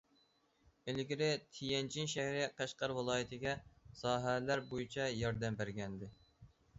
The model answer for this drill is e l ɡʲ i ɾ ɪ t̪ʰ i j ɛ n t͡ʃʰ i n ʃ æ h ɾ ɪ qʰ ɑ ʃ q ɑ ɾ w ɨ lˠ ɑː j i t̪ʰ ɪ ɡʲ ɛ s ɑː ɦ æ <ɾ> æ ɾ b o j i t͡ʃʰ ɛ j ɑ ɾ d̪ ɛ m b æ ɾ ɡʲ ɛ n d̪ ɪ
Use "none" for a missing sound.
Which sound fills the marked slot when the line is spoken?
l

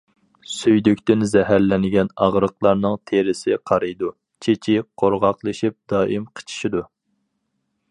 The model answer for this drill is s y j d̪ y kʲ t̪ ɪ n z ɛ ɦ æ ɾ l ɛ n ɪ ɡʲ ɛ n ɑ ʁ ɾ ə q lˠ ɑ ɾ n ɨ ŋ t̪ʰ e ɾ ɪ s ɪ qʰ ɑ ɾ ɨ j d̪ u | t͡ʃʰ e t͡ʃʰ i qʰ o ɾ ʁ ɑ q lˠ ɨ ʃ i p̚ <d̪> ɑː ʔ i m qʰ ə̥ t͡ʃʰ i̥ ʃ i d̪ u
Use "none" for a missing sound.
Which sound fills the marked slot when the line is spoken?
d̪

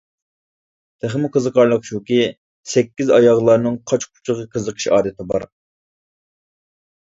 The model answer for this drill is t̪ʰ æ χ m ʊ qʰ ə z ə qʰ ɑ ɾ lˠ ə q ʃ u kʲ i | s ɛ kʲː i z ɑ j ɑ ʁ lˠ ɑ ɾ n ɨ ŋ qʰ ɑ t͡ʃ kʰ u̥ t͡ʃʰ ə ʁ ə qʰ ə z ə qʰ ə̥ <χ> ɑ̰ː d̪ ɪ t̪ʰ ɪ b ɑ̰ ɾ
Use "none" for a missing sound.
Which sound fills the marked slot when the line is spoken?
ʃ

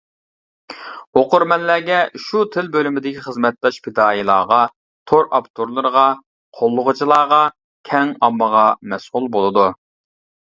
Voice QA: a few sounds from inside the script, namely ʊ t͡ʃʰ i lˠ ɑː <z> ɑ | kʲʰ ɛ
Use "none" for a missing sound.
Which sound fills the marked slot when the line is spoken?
ʁ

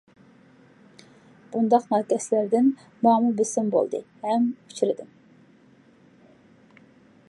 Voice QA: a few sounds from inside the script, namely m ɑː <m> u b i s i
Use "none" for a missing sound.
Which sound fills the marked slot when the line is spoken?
m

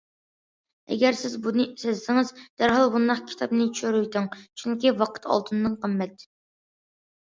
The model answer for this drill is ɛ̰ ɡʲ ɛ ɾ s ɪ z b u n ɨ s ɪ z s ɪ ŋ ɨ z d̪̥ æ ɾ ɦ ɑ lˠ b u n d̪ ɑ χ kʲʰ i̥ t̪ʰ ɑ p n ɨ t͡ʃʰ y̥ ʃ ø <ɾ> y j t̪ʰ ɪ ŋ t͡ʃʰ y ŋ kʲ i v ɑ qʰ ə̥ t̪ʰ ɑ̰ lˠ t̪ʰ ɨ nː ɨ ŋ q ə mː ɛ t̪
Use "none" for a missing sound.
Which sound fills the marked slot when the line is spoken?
ɾ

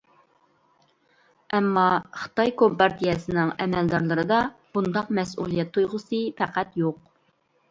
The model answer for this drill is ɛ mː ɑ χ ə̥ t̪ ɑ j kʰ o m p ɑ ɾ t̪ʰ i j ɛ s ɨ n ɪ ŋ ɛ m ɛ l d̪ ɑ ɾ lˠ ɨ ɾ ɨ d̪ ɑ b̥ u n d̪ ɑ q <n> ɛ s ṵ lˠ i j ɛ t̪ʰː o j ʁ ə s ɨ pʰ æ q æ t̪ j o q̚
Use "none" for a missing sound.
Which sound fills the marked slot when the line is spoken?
m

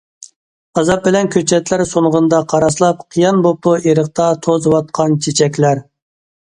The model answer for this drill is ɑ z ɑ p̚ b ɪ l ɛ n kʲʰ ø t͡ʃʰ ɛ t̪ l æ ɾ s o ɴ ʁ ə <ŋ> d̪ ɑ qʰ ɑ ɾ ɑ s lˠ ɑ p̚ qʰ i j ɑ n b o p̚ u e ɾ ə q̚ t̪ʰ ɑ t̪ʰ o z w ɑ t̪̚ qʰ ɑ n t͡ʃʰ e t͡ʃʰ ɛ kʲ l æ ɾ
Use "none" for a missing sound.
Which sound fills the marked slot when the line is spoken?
n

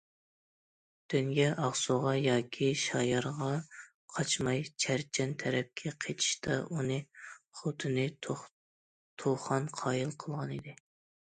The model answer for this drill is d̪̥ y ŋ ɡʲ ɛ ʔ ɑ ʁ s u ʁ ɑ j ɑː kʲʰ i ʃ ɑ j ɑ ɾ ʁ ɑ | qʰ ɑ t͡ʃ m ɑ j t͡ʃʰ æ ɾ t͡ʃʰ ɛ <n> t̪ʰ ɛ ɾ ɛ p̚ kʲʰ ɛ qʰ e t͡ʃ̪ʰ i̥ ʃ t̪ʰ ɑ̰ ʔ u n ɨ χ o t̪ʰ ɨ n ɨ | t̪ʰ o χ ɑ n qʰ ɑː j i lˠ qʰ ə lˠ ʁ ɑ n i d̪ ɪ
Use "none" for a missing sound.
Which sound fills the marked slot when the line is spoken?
n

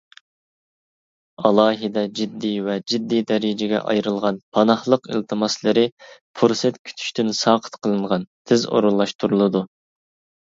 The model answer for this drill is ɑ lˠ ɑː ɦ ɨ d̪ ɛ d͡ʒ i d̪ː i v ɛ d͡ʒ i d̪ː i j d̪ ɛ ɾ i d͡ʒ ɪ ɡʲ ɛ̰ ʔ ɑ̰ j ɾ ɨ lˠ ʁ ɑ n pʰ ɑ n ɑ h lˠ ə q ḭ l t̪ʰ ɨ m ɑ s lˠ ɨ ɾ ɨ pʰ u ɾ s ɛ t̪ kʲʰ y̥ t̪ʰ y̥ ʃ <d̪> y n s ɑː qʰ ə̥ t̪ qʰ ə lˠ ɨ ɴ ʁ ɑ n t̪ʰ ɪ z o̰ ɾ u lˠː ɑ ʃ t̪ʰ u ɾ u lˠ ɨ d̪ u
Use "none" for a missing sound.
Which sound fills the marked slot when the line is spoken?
t̪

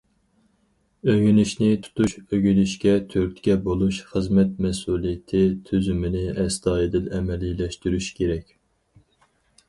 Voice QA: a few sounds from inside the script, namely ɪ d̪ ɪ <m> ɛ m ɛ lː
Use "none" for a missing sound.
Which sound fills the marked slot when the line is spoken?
n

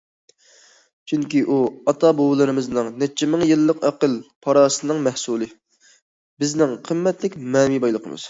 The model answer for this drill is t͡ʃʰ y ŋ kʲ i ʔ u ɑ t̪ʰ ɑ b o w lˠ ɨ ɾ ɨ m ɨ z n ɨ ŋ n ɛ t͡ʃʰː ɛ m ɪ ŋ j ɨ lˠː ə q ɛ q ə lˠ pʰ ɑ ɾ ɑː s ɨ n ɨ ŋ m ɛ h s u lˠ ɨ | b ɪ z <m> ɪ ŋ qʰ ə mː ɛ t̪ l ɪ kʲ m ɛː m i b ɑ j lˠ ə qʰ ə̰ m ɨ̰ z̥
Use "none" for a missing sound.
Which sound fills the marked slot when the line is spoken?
n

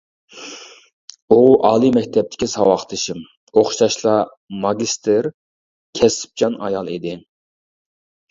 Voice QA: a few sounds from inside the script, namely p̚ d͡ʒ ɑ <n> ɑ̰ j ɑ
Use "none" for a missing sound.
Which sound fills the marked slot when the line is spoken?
n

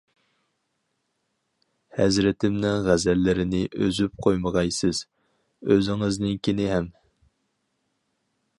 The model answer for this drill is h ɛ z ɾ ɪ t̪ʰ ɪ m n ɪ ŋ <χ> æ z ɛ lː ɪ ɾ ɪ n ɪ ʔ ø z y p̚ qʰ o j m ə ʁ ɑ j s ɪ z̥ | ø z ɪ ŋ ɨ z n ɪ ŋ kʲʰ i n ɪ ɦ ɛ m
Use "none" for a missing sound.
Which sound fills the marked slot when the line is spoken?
ʁ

